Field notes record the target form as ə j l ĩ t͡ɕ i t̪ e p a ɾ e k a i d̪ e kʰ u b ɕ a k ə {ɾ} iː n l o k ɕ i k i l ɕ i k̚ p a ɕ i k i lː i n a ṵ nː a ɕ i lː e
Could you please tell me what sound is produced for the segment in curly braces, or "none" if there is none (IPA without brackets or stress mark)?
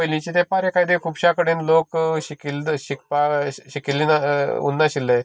ɽ